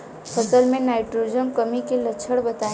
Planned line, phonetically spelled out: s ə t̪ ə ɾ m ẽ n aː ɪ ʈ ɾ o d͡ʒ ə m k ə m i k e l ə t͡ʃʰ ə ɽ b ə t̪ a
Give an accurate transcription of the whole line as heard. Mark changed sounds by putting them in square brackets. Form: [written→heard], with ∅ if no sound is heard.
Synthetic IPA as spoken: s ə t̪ ə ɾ m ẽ n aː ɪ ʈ ɾ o d͡ʒ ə m k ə m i k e l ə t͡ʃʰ ə ɽ b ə t̪ a